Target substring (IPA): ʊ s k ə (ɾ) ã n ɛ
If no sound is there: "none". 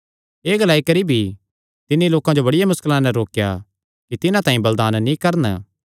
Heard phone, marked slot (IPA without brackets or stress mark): l